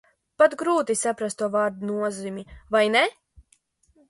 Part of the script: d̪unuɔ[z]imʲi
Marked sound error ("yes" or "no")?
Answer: no